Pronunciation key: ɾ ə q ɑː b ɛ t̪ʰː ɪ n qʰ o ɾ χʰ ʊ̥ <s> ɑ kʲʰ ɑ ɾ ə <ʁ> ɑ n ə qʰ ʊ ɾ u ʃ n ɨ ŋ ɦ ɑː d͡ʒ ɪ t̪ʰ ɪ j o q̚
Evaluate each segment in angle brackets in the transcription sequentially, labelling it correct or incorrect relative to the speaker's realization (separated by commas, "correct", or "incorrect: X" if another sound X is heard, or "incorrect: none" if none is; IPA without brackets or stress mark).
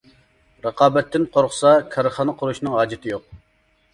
correct, incorrect: χ